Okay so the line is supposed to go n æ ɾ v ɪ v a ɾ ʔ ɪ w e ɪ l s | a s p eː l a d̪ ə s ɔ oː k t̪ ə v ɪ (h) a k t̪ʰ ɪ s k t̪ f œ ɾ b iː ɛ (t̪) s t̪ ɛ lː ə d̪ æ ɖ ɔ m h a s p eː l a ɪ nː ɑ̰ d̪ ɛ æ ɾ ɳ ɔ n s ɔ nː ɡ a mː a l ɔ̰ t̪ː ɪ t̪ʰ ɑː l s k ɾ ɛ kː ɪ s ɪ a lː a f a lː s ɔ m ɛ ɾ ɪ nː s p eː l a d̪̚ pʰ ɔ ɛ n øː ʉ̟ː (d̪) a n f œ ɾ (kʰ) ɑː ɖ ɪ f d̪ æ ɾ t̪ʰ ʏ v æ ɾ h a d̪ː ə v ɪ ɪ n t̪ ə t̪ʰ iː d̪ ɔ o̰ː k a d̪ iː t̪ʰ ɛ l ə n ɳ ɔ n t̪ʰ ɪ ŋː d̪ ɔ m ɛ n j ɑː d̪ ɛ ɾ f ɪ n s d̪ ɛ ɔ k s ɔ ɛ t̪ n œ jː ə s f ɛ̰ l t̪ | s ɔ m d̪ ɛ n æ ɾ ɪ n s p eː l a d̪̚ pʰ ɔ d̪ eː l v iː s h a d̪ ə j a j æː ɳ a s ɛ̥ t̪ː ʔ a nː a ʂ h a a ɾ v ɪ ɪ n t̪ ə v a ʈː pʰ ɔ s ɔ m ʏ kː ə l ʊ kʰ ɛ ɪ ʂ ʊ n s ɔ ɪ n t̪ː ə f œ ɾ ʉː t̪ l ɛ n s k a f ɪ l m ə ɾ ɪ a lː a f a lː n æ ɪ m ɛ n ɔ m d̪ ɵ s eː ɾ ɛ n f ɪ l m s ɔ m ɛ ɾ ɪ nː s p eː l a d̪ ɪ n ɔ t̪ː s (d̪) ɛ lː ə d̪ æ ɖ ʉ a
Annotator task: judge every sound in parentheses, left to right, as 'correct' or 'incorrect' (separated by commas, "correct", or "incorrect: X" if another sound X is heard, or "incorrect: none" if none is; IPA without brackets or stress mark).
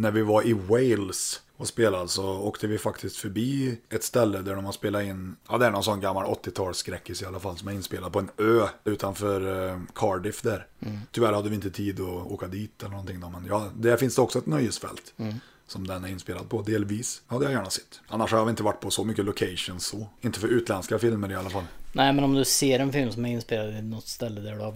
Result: incorrect: f, correct, incorrect: t̪, correct, incorrect: t̪